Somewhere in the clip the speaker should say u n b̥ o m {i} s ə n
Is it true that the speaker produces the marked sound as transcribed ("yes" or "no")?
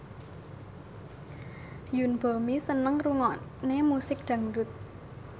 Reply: yes